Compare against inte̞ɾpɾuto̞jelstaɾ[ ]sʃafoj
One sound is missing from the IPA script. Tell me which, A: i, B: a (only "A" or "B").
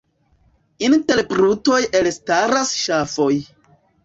B